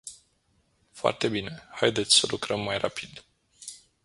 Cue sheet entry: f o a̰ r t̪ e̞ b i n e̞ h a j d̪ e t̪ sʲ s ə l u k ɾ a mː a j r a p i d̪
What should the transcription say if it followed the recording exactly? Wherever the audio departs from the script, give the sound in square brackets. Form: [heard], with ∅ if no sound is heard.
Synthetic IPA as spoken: f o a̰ r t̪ e̞ b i n e̞ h a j d̪ e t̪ sʲ s ə l u k ɾ [ə] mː a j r a p i d̪